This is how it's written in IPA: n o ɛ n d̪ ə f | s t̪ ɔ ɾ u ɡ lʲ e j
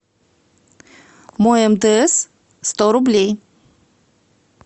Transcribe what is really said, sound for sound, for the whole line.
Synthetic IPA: m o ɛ m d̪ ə s | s t̪ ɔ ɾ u b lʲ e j